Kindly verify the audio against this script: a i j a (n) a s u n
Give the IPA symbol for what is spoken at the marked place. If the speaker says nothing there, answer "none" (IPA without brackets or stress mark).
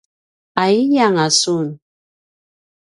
ŋ